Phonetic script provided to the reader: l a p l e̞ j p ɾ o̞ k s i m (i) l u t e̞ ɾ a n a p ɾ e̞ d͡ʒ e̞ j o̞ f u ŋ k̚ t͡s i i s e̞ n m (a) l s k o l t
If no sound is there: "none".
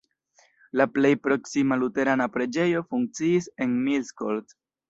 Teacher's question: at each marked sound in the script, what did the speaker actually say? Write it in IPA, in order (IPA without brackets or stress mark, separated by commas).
a, i